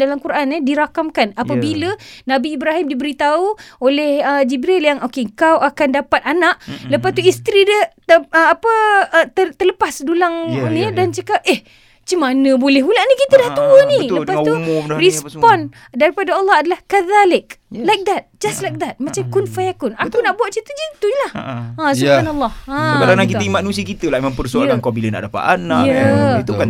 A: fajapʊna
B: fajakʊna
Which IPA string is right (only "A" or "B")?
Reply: B